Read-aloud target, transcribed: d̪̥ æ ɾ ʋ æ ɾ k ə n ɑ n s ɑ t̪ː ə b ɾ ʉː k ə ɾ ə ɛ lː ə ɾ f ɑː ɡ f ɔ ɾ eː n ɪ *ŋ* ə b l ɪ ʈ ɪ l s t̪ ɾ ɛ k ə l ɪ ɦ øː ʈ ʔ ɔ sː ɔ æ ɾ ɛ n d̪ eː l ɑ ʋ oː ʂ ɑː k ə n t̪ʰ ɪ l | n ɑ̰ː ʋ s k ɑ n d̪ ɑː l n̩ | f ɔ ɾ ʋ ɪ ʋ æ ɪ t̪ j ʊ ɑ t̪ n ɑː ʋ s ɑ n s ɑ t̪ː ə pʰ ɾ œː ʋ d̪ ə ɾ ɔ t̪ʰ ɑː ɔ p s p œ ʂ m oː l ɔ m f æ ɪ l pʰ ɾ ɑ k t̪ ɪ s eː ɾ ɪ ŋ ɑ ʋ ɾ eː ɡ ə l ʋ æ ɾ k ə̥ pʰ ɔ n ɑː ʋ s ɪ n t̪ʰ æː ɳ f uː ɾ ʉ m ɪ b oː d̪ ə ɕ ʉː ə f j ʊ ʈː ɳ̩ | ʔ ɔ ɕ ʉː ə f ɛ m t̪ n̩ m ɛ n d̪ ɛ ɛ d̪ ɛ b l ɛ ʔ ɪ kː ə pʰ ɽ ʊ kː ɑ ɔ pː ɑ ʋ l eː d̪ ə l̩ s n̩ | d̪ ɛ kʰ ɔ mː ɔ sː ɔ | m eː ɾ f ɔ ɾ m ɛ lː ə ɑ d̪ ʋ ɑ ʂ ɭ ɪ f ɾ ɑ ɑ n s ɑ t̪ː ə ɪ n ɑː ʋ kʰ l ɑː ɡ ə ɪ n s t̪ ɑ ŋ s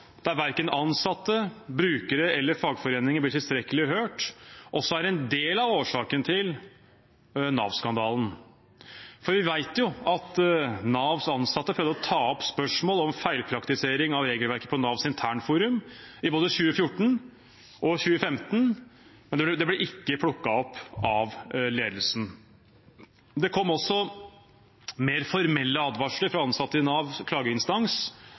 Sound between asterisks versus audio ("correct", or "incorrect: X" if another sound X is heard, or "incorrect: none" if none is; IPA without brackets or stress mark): correct